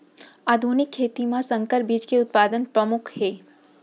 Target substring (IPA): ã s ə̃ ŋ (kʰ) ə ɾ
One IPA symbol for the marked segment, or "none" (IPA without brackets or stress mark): k